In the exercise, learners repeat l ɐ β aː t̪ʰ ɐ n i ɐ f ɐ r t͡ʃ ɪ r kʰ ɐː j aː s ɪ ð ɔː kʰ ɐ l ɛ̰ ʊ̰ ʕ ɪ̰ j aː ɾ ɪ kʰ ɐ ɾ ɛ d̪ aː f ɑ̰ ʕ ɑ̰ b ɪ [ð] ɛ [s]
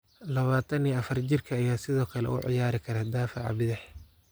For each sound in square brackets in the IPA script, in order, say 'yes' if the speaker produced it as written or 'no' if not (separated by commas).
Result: yes, no